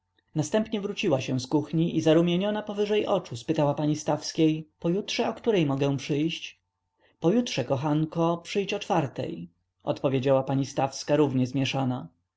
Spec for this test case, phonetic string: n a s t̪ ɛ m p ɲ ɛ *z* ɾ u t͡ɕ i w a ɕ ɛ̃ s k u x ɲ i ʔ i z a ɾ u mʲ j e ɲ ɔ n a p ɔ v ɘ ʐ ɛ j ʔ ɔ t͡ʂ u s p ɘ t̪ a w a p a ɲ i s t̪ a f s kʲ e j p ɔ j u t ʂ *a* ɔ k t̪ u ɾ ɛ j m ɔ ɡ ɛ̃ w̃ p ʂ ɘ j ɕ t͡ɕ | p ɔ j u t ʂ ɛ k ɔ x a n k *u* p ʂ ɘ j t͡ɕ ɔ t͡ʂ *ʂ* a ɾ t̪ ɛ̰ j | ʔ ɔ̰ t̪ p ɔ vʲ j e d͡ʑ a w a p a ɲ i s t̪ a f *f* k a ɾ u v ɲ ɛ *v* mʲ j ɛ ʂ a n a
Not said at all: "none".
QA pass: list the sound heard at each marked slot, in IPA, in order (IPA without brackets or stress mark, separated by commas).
v, ɛ, ɔ, f, s, z